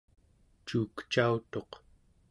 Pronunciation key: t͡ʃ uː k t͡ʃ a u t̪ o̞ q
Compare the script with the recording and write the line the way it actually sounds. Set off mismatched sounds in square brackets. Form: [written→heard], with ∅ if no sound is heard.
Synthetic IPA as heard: t͡ʃ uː k t͡ʃ a u t̪ o̞ q

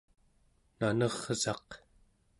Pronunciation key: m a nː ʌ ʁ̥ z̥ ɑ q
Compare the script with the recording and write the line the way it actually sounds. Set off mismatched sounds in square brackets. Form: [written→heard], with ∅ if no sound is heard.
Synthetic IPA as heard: [m→n] a [nː→n] ʌ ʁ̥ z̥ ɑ q

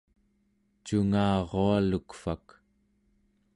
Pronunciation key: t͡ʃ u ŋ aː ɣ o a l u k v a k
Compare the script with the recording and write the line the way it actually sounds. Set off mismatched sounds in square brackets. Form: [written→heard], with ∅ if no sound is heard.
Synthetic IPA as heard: t͡ʃ u ŋ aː [ɣ→ʁ] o a l u k [v→f] a k

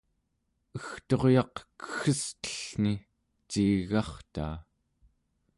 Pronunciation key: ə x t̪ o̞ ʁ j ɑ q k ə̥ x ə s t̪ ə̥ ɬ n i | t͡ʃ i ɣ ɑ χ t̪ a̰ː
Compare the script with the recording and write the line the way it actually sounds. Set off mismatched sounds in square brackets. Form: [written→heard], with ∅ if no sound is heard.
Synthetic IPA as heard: ə x t̪ o̞ ʁ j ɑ q k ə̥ x ə s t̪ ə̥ ɬ n i | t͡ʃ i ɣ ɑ χ t̪ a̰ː

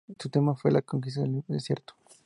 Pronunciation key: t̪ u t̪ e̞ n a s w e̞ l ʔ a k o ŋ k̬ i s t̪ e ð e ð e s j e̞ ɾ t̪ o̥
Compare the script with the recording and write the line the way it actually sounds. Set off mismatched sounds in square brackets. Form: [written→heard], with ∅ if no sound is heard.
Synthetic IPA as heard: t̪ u t̪ e̞ [n→m] a [s→f] w e̞ l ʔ a k o ŋ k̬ i s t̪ [e→a] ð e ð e s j e̞ ɾ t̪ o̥

